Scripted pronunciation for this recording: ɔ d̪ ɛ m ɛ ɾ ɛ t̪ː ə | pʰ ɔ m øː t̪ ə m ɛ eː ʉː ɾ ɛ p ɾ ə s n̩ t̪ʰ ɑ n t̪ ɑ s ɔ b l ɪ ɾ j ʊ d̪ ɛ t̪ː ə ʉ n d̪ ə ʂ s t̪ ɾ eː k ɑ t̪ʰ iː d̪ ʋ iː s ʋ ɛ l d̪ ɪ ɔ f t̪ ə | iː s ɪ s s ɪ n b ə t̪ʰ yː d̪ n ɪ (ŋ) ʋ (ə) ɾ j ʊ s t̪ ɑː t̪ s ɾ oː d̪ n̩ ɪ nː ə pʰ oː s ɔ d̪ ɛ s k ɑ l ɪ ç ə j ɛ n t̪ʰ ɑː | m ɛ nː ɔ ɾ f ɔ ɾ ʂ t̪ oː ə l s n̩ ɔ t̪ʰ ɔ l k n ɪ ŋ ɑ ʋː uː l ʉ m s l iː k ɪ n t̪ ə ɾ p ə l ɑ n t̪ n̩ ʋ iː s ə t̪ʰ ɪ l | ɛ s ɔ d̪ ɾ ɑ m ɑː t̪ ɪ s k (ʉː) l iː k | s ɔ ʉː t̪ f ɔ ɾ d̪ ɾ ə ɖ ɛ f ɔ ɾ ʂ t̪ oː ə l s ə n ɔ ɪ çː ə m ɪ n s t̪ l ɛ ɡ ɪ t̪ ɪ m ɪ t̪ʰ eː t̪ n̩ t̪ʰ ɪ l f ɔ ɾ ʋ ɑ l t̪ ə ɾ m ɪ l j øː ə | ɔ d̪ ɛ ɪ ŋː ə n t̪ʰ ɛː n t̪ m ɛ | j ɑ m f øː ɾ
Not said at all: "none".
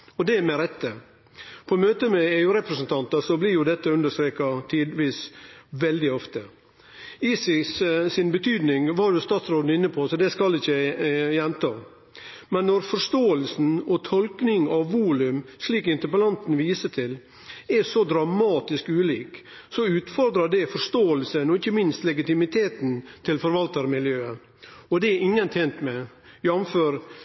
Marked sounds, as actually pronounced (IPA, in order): ŋ, ɑ, ʉː

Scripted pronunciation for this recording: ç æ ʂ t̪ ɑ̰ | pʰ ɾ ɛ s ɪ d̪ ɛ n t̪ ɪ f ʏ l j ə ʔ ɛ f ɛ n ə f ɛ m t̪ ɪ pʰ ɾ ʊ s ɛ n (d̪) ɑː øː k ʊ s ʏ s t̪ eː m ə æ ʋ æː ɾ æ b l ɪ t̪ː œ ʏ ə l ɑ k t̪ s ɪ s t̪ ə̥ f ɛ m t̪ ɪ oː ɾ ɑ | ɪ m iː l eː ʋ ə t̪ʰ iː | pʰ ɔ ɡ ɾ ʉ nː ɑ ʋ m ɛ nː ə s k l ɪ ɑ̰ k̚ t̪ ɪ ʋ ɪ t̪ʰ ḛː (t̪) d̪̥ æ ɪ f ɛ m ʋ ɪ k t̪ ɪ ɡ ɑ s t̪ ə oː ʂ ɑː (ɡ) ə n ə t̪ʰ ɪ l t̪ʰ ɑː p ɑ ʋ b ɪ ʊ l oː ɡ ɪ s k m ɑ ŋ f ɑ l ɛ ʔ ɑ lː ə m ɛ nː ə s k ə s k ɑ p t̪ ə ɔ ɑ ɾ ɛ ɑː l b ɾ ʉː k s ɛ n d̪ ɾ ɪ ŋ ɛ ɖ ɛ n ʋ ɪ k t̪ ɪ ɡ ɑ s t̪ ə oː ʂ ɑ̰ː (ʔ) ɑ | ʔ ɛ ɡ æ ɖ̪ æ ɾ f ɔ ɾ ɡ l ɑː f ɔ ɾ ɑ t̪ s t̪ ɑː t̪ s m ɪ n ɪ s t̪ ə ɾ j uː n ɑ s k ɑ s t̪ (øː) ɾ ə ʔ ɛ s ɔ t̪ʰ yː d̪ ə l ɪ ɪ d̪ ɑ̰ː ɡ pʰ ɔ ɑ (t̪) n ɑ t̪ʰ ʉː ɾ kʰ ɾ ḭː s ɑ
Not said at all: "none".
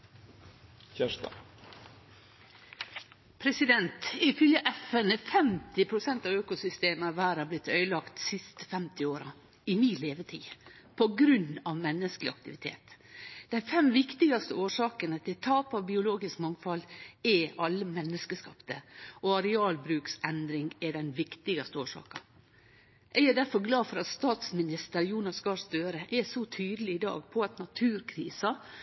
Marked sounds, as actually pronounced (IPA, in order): t̪, t̪, k, k, øː, t̪

